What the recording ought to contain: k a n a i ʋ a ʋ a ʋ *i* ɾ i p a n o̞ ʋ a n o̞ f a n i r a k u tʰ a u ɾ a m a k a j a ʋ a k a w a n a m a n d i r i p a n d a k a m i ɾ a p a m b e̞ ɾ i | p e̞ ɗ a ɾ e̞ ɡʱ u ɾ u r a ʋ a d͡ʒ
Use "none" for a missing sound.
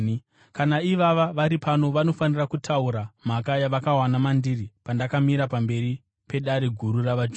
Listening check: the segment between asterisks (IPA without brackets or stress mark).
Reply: a